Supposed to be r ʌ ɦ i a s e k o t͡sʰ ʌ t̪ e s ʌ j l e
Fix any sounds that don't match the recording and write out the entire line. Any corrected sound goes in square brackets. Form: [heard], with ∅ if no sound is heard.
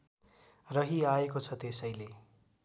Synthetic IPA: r ʌ ɦ i a [∅] e k o t͡sʰ ʌ t̪ e s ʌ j l e